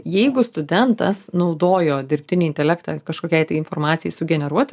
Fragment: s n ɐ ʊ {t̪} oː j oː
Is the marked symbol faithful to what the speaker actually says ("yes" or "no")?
no